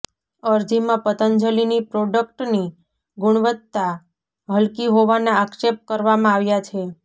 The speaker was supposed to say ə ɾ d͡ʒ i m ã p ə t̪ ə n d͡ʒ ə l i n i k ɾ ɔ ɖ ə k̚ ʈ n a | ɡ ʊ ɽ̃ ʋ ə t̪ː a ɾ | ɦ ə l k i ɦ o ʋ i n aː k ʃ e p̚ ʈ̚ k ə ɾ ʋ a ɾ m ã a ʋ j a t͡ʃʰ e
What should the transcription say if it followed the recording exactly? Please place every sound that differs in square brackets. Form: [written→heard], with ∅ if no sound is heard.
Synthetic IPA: ə ɾ d͡ʒ i m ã p ə t̪ ə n d͡ʒ ə l i n i [k→p] ɾ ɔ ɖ ə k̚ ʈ n [a→i] | ɡ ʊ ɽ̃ ʋ ə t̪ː a [ɾ→∅] | ɦ ə l k i ɦ o ʋ [i→a] n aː k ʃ e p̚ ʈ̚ k ə ɾ ʋ a [ɾ→∅] m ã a ʋ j a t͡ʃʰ e